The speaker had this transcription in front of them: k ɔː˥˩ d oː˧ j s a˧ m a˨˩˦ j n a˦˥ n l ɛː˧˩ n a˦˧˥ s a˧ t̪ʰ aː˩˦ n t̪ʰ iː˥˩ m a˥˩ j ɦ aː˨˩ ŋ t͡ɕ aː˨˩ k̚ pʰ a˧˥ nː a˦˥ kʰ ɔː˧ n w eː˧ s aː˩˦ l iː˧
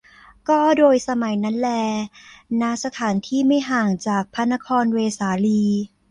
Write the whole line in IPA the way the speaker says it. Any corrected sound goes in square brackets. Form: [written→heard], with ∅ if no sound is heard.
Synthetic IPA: k ɔː˥˩ d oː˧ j s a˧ m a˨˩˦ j n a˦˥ n l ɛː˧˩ n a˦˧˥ s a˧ t̪ʰ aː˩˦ n t̪ʰ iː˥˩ m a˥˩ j ɦ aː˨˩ ŋ t͡ɕ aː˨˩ k̚ pʰ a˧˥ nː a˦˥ kʰ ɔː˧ n w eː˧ s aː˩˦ l iː˧